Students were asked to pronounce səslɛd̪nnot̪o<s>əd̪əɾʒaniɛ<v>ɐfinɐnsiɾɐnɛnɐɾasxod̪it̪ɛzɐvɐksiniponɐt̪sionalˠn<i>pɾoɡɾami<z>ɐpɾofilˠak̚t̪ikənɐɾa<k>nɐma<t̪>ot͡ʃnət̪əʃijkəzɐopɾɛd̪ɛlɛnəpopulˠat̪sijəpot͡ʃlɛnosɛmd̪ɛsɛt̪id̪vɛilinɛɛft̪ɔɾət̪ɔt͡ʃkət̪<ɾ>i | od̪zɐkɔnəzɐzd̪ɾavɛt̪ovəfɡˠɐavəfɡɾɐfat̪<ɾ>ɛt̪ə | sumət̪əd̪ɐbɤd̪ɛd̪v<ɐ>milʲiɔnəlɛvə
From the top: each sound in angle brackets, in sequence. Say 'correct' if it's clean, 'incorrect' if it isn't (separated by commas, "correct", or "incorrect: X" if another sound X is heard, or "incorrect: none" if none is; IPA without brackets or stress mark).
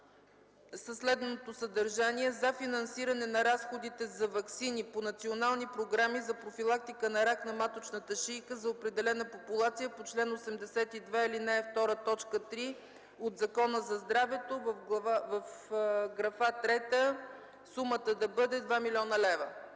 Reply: correct, incorrect: z, correct, correct, correct, correct, correct, correct, incorrect: a